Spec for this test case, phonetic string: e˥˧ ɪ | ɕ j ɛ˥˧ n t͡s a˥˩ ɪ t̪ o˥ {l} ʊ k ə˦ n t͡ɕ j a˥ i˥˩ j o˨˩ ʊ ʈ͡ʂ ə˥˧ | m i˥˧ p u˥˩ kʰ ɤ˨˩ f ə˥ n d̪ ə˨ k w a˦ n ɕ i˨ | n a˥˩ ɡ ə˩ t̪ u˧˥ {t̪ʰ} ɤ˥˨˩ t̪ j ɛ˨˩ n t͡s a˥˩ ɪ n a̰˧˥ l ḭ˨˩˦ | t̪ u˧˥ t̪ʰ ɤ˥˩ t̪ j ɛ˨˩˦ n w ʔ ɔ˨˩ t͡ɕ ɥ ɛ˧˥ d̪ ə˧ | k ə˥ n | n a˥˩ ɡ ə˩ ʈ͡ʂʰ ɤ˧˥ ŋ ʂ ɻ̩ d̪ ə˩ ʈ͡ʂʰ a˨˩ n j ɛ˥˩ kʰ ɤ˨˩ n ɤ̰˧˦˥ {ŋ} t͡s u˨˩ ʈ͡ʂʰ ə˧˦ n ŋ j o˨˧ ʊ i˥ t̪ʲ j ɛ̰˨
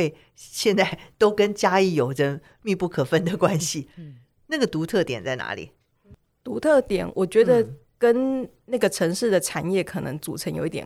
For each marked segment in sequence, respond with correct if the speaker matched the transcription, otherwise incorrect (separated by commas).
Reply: incorrect, correct, correct